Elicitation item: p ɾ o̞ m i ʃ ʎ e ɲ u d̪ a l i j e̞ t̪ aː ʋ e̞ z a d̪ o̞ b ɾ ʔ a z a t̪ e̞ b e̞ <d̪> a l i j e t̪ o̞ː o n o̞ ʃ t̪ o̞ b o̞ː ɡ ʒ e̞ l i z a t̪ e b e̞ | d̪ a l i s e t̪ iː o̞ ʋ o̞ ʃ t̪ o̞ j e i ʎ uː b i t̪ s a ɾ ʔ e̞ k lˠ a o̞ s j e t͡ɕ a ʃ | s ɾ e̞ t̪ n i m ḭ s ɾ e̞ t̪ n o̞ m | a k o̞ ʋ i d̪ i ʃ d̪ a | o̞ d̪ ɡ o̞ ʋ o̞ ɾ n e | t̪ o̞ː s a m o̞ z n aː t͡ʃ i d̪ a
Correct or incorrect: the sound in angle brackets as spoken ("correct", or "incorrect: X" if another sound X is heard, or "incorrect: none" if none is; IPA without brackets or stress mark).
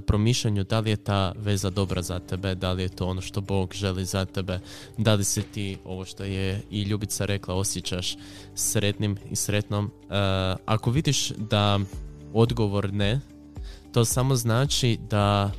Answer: correct